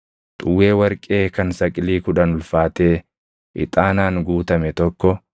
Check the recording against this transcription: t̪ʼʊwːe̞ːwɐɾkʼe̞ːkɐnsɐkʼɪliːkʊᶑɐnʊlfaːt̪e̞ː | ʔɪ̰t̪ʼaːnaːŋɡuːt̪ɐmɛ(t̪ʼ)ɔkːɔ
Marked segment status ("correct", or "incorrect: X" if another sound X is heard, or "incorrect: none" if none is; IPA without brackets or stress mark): incorrect: t̪